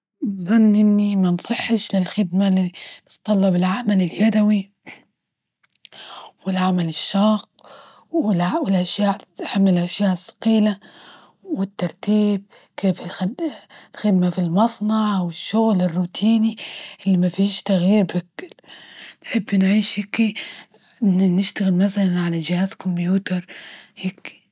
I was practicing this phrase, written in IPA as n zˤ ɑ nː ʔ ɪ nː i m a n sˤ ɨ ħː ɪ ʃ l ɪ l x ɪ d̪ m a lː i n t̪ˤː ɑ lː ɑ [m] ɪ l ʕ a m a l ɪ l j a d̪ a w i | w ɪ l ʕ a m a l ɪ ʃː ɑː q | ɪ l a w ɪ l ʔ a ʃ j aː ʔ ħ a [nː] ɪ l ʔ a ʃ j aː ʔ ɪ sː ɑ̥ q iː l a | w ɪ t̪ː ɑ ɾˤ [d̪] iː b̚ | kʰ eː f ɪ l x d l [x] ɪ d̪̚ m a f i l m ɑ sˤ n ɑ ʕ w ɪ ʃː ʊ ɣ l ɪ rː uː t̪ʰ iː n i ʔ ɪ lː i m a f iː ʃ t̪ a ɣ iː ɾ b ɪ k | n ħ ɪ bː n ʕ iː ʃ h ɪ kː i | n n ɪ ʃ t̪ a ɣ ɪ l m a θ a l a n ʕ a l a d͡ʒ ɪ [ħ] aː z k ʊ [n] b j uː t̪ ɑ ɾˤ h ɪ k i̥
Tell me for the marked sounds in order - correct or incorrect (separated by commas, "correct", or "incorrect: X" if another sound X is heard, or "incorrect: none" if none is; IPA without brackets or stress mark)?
incorrect: b, incorrect: mː, incorrect: t̪, correct, incorrect: h, incorrect: m